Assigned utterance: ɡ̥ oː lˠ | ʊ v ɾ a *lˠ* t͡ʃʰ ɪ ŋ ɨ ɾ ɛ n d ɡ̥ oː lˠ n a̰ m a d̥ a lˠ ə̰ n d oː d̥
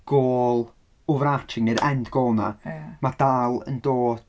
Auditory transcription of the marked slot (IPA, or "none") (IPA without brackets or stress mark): none